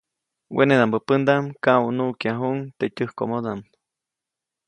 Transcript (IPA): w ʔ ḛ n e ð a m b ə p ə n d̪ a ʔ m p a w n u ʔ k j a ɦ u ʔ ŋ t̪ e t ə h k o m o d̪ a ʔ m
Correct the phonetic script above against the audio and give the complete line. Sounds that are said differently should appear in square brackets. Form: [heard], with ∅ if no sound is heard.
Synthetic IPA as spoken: w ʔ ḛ n e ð a m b ə p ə n d̪ a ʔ m [k] a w n u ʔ k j a ɦ u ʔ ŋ t̪ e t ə h k o m o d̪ a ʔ m